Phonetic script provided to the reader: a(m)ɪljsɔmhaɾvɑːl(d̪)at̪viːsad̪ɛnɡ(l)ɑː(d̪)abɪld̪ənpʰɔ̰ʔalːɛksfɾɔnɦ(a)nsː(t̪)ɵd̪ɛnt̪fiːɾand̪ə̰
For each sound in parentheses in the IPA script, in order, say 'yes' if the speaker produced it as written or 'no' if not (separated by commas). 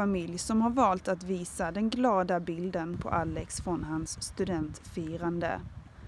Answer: yes, no, yes, yes, yes, yes